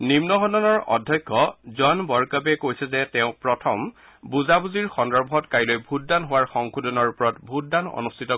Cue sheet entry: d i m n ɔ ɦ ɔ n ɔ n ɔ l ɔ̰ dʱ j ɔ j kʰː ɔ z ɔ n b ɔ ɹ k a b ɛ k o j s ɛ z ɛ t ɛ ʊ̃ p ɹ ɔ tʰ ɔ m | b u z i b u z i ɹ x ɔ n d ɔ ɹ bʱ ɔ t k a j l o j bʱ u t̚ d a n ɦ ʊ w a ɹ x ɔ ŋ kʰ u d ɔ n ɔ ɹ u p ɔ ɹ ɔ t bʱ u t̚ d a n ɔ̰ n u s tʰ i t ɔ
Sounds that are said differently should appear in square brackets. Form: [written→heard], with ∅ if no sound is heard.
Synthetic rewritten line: [d→n] i m n ɔ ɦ ɔ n ɔ n ɔ [l→ɹ] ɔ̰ dʱ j ɔ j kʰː ɔ z ɔ n b ɔ ɹ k a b ɛ k o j s ɛ z ɛ t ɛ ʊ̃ p ɹ ɔ tʰ ɔ m | b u z [i→a] b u z i ɹ x ɔ n d ɔ ɹ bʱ ɔ t k a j l o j bʱ u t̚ d a n ɦ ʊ w a ɹ x ɔ ŋ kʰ u d ɔ n ɔ ɹ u p ɔ ɹ ɔ t bʱ u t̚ d a n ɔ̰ n u s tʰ i t ɔ